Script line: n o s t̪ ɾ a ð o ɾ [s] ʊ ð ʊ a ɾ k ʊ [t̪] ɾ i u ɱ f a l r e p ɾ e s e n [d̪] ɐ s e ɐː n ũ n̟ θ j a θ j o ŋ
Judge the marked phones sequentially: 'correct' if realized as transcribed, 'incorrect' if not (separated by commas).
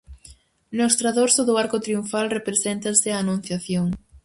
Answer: correct, correct, incorrect